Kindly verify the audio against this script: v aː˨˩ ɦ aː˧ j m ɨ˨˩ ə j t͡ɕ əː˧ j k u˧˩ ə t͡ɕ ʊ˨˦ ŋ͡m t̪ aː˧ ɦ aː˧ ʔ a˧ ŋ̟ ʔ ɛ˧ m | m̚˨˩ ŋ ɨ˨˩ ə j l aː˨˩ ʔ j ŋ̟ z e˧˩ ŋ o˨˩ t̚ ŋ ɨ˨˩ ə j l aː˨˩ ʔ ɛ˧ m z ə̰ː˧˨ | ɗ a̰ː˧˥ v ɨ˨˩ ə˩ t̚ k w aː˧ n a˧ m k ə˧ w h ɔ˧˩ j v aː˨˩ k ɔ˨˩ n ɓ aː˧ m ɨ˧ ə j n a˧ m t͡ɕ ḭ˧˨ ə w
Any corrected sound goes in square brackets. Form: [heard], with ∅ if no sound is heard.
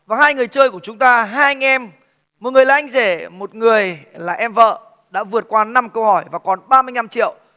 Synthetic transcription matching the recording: v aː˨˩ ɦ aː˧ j [ŋ] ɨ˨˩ ə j t͡ɕ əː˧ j k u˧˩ ə t͡ɕ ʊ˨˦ ŋ͡m t̪ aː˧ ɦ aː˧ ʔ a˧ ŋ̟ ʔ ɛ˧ m | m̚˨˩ ŋ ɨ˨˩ ə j l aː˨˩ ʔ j ŋ̟ z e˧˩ [m] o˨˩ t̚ ŋ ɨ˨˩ ə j l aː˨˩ ʔ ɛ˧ m [v] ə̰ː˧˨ | ɗ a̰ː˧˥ v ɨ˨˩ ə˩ t̚ k w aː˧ n a˧ m k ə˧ w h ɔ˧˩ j v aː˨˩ k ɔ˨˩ n ɓ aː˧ m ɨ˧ ə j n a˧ m t͡ɕ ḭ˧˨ ə w